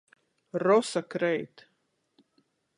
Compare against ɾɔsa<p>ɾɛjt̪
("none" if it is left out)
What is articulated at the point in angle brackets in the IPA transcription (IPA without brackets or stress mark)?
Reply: k